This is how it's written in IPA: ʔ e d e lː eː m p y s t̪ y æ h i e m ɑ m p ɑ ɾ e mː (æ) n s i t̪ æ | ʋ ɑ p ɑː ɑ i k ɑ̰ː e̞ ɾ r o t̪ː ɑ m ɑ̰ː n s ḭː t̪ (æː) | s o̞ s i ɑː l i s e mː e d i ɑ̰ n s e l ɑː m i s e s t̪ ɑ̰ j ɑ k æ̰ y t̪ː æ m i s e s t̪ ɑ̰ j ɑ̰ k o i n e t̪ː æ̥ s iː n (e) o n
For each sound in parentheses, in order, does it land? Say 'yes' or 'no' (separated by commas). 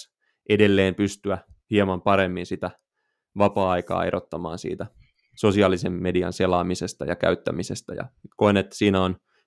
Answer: no, no, no